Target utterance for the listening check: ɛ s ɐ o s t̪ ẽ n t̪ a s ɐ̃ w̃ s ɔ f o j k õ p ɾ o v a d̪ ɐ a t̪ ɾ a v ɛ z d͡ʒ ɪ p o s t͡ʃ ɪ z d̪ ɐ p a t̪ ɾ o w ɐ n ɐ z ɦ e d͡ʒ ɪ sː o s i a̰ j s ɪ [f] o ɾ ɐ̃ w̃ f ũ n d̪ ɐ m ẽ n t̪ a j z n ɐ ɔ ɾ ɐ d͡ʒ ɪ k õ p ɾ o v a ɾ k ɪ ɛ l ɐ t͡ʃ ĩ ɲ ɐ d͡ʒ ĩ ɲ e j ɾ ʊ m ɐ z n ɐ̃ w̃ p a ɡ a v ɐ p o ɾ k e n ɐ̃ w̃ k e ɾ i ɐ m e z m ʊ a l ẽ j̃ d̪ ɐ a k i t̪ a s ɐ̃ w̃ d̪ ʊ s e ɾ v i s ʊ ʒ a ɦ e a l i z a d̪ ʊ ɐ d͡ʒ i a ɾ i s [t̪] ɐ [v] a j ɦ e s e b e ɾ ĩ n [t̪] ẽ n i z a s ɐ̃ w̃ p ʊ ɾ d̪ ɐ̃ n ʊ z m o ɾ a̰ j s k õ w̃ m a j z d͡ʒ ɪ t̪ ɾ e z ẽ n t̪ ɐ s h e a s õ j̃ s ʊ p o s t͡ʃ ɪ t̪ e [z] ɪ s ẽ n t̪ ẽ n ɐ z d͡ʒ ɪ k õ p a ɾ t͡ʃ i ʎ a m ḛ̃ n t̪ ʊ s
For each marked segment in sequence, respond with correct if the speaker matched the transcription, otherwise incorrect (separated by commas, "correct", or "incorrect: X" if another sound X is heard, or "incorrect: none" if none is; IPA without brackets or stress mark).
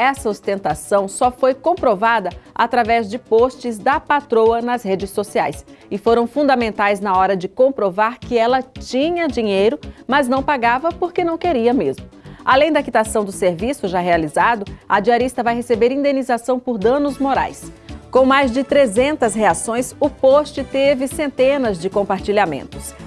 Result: correct, correct, correct, incorrect: d̪, incorrect: v